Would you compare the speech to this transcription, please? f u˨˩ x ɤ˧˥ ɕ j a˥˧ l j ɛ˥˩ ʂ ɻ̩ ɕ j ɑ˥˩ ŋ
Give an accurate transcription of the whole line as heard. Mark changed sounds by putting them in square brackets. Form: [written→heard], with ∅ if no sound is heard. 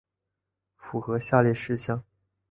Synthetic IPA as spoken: f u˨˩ x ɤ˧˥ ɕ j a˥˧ l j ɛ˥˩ ʂ ɻ̩ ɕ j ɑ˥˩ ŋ